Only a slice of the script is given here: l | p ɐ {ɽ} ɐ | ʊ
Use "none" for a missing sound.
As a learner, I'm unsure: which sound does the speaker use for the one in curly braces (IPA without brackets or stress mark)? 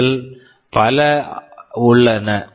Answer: l